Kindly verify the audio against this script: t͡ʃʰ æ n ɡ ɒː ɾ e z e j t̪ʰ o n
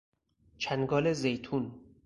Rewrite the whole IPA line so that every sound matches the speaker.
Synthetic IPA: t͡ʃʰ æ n ɡ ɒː l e z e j t̪ʰ u n